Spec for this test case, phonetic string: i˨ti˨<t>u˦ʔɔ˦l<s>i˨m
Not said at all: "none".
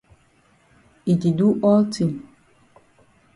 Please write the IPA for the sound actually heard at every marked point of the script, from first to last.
d, t

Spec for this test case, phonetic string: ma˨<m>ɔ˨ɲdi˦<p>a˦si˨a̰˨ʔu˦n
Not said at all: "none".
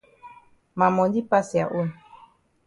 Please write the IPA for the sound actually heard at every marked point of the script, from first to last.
m, p

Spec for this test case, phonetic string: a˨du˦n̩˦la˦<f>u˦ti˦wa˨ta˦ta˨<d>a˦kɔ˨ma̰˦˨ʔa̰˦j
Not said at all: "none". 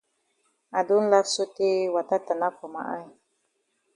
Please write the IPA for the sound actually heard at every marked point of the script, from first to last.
s, n

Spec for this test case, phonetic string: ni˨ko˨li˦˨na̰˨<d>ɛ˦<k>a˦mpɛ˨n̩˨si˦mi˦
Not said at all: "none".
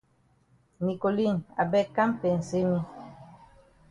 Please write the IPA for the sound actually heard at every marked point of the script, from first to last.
b, k

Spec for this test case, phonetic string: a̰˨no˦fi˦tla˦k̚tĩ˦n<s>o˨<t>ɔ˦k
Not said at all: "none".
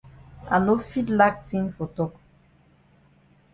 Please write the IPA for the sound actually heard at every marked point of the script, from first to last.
f, t

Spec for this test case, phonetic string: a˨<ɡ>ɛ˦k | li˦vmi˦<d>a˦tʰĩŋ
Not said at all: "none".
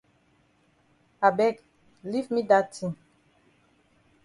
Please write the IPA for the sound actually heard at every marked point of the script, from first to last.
b, d

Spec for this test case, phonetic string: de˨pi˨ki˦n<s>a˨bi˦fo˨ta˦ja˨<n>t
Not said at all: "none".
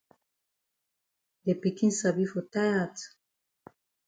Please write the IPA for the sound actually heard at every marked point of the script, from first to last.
s, none

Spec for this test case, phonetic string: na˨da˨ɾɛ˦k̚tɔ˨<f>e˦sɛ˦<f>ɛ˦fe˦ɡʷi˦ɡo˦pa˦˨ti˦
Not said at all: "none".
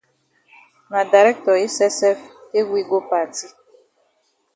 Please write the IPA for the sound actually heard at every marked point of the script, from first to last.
none, s

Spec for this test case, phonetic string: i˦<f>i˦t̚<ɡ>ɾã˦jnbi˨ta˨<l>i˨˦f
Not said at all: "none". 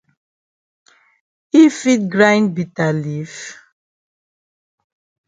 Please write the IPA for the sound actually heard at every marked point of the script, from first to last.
f, ɡ, l

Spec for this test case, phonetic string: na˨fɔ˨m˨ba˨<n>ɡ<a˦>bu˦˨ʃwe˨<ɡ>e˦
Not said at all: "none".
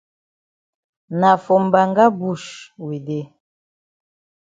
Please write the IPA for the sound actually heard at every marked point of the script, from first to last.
ŋ, a˦, d

